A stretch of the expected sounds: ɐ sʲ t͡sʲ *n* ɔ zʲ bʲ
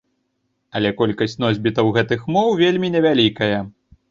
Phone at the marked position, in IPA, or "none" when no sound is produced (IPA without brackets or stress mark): n